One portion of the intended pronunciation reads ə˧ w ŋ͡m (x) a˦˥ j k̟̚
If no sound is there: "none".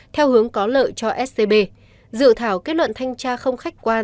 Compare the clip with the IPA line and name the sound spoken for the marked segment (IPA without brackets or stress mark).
x